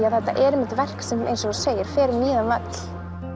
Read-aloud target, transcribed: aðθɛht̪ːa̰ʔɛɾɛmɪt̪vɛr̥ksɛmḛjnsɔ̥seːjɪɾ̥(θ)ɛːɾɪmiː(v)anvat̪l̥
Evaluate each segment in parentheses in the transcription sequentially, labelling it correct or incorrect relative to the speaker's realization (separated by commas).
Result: incorrect, incorrect